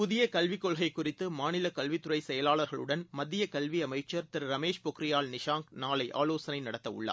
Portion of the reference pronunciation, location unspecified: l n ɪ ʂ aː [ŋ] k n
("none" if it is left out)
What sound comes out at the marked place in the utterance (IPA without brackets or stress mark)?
ŋ